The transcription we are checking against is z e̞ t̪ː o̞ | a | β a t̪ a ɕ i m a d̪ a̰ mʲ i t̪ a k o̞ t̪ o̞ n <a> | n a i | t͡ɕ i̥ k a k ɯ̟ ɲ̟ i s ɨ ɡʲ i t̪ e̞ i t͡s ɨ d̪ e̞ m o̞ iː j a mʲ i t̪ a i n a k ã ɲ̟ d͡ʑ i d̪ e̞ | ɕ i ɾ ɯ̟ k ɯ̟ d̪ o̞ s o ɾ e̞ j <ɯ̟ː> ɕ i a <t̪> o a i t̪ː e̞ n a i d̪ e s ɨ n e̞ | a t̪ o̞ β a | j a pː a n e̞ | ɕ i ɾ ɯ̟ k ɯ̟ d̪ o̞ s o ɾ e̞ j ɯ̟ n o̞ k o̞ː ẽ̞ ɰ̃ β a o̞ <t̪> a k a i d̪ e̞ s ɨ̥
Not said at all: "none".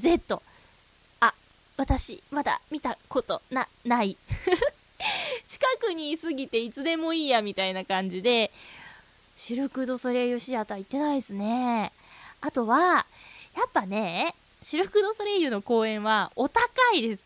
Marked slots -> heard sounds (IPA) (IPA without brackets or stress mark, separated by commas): a, ɯ̟, t̪, t̪